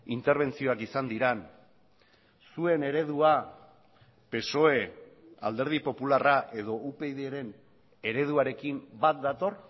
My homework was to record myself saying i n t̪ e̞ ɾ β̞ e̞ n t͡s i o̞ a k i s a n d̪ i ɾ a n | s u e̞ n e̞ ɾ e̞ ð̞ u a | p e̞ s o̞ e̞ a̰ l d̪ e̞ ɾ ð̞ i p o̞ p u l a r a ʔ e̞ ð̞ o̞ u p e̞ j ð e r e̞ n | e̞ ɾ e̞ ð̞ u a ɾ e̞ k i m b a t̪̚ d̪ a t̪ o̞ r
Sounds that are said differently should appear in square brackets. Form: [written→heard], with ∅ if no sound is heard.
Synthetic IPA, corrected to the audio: i n t̪ e̞ ɾ β̞ e̞ n t͡s i o̞ a k i s a n d̪ i ɾ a n | s u e̞ n e̞ ɾ e̞ ð̞ u a | p e̞ s o̞ e̞ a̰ l d̪ e̞ ɾ ð̞ i p o̞ p u l a r a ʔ e̞ ð̞ o̞ u p e̞ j ð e [r→ɾ] e̞ n | e̞ ɾ e̞ ð̞ u a ɾ e̞ k i m b a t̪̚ d̪ a t̪ o̞ r

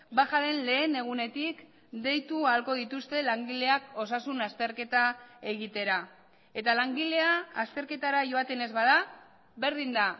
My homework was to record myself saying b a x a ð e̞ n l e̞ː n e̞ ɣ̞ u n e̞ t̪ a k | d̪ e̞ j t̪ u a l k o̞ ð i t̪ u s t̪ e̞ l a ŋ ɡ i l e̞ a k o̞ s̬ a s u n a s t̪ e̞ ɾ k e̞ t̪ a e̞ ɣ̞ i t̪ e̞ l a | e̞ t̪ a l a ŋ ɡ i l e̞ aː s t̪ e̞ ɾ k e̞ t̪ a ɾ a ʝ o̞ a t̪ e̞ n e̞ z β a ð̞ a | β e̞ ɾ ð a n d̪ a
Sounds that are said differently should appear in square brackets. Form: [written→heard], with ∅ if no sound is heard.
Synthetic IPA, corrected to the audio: b a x a ð e̞ n l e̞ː n e̞ ɣ̞ u n e̞ t̪ [a→i] k | d̪ e̞ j t̪ u a l k o̞ ð i t̪ u s t̪ e̞ l a ŋ ɡ i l e̞ a k o̞ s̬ a s u n a s t̪ e̞ ɾ k e̞ t̪ a e̞ ɣ̞ i t̪ e̞ [l→ɾ] a | e̞ t̪ a l a ŋ ɡ i l e̞ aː s t̪ e̞ ɾ k e̞ t̪ a ɾ a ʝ o̞ a t̪ e̞ n e̞ z β a ð̞ a | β e̞ ɾ ð [a→i] n d̪ a

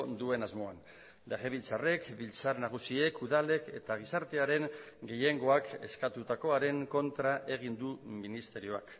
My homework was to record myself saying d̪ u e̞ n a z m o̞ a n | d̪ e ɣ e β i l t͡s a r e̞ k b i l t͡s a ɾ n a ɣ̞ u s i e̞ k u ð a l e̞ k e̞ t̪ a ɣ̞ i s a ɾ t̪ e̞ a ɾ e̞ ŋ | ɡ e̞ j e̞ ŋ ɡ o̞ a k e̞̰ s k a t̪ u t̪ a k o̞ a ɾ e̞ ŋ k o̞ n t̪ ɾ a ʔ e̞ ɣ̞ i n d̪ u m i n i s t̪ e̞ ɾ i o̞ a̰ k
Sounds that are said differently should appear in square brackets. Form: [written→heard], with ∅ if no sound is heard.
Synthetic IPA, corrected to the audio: d̪ u e̞ n a z m o̞ a n | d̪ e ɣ e β i l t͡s a r e̞ k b i l t͡s a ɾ n a ɣ̞ u s i e̞ k u ð a l e̞ k e̞ t̪ a ɣ̞ i s a ɾ t̪ e̞ a ɾ e̞ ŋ | ɡ e̞ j e̞ ŋ ɡ o̞ a k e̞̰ s k a t̪ u t̪ a k o̞ a ɾ e̞ ŋ k o̞ n t̪ ɾ a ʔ e̞ ɣ̞ i n d̪ u m i n i s t̪ e̞ ɾ i o̞ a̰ k

